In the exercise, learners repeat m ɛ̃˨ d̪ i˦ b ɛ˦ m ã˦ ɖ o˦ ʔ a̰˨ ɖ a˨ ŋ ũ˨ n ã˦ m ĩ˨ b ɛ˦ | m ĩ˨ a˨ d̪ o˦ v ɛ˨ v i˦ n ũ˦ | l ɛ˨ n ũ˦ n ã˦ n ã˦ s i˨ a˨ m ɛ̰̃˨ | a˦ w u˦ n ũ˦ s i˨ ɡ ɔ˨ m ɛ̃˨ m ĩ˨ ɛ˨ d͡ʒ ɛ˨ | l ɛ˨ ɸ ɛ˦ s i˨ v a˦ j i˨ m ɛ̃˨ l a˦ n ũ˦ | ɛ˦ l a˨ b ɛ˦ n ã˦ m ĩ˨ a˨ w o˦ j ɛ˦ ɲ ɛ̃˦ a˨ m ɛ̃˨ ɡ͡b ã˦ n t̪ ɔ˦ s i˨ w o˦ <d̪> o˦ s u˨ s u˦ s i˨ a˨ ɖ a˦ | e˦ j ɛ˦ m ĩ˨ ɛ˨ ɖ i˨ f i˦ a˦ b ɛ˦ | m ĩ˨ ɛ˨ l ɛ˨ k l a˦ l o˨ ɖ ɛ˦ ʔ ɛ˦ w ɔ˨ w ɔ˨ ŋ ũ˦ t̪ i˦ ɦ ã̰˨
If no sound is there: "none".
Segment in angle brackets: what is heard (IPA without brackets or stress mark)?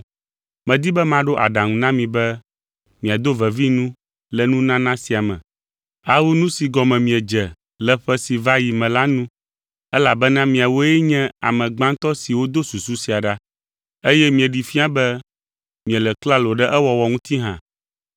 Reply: d̪